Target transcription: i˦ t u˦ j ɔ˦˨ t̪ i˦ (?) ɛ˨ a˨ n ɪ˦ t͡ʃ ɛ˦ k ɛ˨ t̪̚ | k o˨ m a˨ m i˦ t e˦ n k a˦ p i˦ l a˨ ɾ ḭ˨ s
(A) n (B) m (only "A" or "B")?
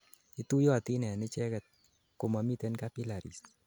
A